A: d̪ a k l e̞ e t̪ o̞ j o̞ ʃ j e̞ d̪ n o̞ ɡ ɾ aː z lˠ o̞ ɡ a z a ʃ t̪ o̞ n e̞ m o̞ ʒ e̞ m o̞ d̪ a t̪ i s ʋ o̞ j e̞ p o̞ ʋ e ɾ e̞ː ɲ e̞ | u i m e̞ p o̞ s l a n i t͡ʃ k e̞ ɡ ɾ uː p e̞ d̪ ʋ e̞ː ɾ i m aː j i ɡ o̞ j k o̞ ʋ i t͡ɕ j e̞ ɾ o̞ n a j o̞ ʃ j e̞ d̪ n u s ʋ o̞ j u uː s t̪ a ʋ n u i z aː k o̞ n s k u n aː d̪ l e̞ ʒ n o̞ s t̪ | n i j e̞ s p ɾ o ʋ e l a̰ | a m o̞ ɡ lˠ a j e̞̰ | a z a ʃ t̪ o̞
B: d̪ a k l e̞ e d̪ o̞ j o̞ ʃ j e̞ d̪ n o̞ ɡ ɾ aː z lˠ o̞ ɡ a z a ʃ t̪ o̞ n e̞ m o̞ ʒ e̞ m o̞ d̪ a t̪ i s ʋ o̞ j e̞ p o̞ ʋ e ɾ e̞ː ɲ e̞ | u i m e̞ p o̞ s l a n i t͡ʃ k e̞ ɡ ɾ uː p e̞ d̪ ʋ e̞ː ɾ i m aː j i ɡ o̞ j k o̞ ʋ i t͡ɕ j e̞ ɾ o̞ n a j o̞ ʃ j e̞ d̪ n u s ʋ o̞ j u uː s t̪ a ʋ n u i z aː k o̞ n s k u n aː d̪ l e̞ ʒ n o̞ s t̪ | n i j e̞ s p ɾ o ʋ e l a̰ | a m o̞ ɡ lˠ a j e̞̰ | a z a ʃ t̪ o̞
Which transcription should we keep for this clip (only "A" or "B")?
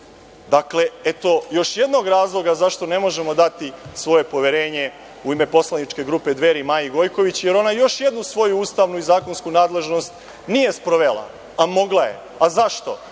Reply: A